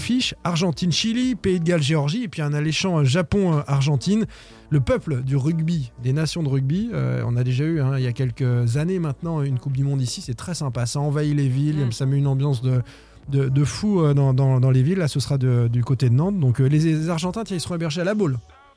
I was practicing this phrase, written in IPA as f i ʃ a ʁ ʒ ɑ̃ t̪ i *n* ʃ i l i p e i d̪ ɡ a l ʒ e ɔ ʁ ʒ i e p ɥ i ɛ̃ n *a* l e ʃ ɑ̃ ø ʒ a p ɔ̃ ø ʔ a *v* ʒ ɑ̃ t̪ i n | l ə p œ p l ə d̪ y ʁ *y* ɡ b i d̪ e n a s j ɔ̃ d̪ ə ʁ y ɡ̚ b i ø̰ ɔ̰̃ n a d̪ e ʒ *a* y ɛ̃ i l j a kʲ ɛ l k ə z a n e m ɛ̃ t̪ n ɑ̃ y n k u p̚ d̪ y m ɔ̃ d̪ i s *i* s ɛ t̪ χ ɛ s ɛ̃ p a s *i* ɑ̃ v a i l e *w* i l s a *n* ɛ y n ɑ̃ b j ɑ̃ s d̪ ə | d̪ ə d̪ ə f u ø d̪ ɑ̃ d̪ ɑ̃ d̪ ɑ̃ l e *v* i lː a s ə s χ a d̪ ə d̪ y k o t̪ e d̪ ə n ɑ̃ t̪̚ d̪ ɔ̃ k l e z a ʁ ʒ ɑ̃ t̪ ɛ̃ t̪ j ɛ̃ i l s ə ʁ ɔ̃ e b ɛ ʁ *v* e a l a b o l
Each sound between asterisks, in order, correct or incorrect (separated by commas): correct, correct, incorrect, correct, correct, correct, incorrect, incorrect, incorrect, correct, incorrect